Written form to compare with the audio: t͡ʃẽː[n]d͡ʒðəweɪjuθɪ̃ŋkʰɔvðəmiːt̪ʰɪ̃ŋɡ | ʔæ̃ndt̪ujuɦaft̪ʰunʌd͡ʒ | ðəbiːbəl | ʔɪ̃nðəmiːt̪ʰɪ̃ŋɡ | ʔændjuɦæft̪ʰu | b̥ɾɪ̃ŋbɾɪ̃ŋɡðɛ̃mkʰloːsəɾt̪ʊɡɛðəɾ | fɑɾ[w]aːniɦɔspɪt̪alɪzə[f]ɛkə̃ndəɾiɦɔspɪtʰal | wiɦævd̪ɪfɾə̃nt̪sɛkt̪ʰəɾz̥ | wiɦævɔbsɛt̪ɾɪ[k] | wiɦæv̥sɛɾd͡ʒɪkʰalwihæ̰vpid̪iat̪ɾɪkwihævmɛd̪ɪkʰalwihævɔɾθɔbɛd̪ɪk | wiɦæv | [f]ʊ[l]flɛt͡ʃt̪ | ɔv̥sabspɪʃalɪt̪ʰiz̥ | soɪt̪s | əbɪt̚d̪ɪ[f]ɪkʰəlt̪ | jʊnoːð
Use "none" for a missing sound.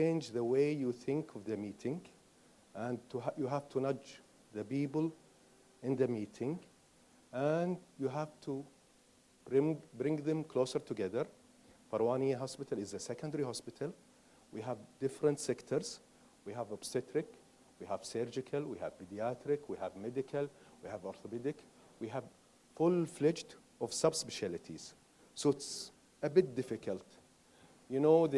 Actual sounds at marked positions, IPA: n, w, s, k, f, l, f

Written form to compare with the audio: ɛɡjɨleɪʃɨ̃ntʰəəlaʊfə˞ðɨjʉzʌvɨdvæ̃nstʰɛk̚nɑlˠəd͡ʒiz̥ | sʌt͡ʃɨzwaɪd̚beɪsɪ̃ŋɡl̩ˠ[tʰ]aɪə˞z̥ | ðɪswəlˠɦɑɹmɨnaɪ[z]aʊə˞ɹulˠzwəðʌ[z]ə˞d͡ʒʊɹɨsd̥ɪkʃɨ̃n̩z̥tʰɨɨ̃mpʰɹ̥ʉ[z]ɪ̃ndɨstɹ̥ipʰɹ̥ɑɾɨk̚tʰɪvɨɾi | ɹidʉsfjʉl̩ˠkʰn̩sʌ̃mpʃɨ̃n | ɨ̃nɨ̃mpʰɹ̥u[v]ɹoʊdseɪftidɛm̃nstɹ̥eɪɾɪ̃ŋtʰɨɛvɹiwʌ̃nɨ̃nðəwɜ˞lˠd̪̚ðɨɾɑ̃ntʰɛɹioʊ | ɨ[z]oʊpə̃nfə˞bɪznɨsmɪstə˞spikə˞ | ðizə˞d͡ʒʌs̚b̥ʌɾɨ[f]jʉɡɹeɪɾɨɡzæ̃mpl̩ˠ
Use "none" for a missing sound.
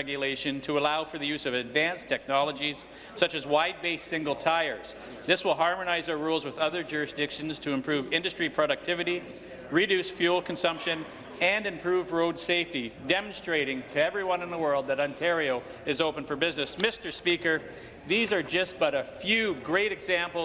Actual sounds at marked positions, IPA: tʰ, z, ð, v, v, z, f

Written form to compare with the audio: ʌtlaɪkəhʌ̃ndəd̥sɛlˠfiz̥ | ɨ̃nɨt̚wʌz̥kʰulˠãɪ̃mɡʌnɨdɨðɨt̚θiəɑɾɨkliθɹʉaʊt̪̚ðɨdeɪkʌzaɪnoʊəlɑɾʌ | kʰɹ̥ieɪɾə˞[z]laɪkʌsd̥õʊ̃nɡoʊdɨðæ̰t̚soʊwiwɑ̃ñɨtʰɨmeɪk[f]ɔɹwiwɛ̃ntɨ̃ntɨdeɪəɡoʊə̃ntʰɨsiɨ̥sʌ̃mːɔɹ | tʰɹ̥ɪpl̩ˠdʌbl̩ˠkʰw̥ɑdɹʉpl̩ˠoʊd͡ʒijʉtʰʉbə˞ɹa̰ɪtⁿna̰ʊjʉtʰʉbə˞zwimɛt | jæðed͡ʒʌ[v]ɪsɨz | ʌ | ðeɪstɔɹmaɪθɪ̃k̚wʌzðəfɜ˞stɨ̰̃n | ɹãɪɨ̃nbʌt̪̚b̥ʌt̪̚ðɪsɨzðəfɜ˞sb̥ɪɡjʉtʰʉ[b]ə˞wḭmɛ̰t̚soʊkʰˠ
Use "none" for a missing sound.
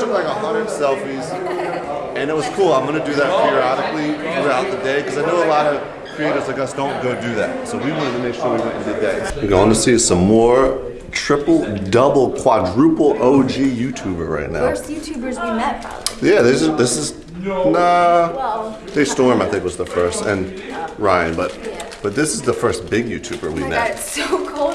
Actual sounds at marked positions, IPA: z, ʃ, ð, b

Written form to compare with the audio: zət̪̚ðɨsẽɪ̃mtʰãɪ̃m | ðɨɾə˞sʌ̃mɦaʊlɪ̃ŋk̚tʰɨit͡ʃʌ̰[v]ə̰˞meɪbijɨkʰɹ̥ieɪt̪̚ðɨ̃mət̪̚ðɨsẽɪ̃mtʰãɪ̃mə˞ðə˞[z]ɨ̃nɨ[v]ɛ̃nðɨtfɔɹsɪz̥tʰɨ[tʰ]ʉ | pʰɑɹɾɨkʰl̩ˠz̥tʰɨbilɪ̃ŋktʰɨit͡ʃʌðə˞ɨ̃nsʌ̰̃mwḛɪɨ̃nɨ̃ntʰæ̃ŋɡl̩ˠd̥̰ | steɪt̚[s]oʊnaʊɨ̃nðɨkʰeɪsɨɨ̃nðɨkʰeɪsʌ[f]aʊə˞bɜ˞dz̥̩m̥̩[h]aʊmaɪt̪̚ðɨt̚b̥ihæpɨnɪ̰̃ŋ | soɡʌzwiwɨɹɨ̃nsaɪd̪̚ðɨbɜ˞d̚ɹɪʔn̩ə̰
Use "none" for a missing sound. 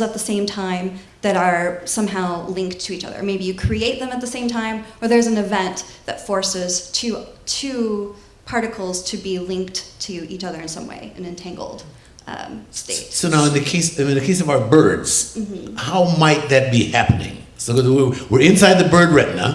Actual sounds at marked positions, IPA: ð, z, v, tʰ, s, v, h

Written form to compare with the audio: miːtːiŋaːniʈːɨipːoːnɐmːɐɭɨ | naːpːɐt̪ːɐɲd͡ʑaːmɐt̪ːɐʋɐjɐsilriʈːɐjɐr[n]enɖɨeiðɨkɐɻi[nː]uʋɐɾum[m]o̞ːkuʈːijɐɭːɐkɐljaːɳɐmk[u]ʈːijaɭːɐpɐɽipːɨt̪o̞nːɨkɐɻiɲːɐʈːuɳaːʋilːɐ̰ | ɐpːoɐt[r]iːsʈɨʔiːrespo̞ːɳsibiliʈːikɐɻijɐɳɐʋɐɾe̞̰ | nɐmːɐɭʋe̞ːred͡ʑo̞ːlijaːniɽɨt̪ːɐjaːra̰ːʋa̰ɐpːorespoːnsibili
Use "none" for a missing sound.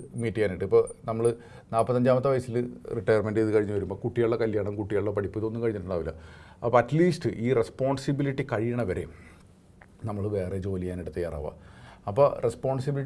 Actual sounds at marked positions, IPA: m, ɲː, b, u, l

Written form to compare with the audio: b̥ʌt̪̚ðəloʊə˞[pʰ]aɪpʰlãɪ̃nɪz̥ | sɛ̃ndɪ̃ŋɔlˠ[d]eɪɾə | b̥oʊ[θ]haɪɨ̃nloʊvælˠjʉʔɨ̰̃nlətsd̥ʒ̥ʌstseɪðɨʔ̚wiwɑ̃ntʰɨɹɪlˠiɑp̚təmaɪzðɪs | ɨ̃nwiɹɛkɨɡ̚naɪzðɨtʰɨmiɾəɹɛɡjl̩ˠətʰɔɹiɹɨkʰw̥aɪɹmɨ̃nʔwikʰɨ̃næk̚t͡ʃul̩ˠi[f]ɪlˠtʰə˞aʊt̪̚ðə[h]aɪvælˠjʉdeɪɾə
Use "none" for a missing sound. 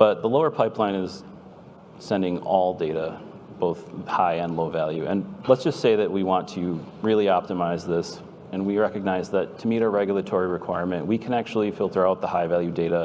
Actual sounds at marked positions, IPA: pʰ, d, θ, f, h

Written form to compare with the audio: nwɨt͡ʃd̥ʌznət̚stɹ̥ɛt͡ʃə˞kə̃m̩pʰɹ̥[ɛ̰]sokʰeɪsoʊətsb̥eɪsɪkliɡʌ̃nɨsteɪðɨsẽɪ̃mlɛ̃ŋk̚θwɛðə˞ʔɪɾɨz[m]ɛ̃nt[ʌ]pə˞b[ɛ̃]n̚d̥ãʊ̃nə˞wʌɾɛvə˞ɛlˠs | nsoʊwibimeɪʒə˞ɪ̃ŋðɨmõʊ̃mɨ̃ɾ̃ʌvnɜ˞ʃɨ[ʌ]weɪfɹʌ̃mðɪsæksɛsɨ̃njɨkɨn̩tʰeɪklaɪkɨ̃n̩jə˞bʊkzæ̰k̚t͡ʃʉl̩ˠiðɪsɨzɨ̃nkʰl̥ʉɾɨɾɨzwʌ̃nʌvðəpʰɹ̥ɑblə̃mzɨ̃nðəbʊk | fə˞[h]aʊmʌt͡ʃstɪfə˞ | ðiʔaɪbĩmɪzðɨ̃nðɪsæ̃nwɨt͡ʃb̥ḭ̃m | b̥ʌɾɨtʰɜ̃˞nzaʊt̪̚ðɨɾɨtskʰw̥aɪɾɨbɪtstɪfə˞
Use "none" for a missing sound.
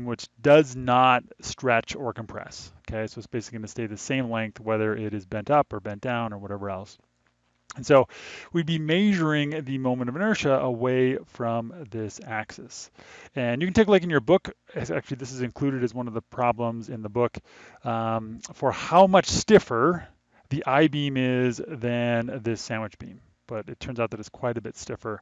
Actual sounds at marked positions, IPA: ɛ̰, b, ʌ, ɛ̃, ə, h

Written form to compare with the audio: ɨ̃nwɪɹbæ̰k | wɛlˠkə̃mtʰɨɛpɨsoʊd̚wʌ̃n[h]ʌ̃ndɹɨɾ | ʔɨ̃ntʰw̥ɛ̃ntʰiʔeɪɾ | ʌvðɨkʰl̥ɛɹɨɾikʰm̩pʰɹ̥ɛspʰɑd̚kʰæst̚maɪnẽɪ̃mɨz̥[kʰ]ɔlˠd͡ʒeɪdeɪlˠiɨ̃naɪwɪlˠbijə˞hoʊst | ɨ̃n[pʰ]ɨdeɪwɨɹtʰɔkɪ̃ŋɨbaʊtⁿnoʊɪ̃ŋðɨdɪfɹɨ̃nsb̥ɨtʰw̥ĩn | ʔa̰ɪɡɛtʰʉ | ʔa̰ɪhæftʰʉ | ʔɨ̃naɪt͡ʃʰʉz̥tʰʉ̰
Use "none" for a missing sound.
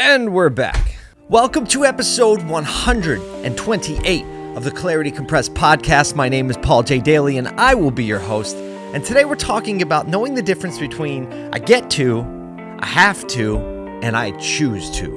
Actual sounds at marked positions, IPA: h, pʰ, tʰ

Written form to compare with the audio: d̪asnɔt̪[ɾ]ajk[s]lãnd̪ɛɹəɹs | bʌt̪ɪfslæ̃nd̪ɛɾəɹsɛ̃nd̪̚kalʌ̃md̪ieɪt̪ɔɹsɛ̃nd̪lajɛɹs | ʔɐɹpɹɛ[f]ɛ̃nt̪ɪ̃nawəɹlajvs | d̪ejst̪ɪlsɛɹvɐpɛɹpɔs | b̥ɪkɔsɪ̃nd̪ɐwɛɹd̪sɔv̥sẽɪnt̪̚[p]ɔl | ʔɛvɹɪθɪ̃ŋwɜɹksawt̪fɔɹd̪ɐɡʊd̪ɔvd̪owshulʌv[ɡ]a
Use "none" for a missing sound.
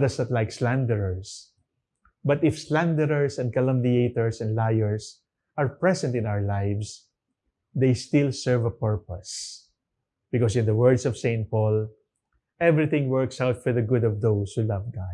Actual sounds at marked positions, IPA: l, s, s, p, ɡ

